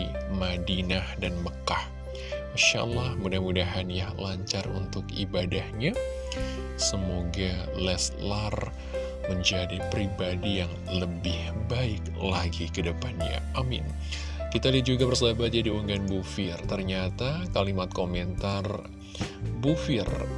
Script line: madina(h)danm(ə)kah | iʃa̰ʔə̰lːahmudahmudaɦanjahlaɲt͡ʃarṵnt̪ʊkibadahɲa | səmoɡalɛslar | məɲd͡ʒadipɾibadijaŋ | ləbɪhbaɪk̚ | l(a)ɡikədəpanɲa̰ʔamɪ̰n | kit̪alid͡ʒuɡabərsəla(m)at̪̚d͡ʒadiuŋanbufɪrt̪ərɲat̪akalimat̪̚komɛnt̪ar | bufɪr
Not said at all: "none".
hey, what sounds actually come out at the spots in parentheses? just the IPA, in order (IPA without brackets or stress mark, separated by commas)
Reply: h, ə, a, b